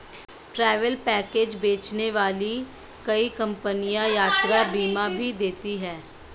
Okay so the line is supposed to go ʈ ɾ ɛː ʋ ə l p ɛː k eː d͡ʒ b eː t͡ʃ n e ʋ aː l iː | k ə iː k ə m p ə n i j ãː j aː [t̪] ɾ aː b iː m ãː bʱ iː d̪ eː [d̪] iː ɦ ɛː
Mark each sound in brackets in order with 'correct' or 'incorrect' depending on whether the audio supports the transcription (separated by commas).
correct, incorrect